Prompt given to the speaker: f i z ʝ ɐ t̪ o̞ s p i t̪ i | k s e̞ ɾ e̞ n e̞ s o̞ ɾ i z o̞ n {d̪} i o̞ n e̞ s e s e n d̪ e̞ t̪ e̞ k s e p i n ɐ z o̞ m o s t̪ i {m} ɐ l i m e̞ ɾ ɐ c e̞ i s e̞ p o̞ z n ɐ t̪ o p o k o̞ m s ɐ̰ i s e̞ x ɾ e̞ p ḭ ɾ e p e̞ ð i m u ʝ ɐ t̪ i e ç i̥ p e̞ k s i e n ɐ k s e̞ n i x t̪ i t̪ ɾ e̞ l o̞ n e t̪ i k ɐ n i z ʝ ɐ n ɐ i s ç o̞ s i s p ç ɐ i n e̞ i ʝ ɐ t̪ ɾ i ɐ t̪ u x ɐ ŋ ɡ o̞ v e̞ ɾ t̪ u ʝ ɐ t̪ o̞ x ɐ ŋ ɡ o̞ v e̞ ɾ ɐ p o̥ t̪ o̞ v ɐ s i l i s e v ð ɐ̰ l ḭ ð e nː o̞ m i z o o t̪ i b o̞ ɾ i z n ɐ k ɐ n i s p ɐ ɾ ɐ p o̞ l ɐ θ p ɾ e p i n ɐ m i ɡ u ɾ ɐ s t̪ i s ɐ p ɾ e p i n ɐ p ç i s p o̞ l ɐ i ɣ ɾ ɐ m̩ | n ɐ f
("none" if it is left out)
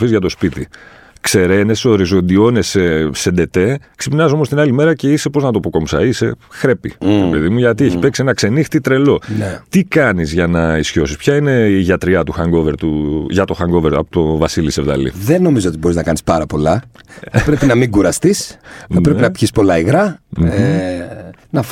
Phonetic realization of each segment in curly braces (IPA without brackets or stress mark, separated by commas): d̪, n